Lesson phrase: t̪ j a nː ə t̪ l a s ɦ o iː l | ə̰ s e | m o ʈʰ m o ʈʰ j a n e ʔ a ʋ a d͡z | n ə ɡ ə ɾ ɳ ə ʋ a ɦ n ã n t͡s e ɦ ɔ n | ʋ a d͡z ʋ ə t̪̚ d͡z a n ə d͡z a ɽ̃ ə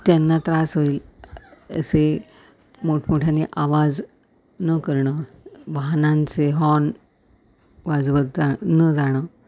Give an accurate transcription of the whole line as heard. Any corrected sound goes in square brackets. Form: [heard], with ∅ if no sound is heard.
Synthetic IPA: t̪ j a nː [a] t̪ [ɾ] a s ɦ o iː l | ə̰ s e | m o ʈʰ m o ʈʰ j a n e ʔ a ʋ a d͡z | n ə [k] ə ɾ ɳ ə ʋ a ɦ n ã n t͡s e ɦ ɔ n | ʋ a d͡z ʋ ə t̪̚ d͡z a n ə d͡z a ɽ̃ ə